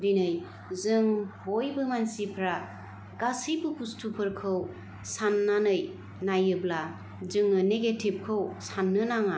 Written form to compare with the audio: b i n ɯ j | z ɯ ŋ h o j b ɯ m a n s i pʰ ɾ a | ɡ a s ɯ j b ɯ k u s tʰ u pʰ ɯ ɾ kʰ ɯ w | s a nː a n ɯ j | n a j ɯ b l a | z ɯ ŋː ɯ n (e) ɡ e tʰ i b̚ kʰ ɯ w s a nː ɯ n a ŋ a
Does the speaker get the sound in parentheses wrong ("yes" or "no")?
no